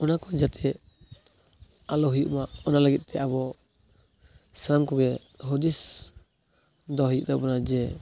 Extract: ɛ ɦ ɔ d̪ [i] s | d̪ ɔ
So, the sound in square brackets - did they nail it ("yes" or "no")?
yes